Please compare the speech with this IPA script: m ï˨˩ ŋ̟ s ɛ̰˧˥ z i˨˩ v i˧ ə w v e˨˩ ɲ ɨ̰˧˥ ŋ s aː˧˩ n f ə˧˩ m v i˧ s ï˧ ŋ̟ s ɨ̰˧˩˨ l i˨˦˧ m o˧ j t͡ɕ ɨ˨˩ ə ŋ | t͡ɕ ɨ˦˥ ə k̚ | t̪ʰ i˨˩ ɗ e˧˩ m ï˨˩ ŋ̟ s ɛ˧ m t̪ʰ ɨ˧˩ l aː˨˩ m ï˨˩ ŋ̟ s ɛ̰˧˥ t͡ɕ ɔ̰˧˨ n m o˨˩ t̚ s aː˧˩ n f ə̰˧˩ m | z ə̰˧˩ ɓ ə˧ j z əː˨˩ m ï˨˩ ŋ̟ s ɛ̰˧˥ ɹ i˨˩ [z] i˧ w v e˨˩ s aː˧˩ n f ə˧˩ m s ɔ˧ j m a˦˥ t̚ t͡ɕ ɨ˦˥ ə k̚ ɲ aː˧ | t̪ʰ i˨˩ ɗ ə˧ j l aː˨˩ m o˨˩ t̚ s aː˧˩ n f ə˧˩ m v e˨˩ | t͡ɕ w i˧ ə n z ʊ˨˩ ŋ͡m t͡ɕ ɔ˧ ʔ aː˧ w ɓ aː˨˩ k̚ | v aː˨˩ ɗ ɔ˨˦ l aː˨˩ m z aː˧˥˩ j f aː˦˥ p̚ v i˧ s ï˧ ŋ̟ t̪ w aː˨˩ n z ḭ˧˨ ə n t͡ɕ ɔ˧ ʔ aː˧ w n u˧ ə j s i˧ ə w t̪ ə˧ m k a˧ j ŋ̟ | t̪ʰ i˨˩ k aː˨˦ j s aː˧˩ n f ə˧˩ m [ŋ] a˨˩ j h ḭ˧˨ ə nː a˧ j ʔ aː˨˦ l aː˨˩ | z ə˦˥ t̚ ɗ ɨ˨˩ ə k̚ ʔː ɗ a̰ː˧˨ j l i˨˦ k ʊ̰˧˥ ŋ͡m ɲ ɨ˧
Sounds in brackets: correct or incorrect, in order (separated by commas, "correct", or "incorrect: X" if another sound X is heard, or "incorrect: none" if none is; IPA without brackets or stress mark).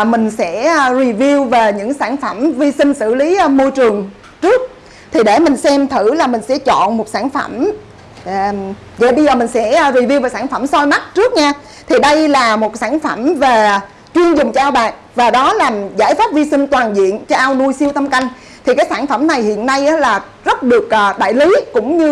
incorrect: v, incorrect: n